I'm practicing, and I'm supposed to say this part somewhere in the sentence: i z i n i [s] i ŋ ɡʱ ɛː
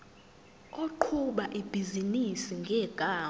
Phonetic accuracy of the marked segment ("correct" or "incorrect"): correct